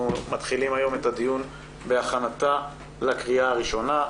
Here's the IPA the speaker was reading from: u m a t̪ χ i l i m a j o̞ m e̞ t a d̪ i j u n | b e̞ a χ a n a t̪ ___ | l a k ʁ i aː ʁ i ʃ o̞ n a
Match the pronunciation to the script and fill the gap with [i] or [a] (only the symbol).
a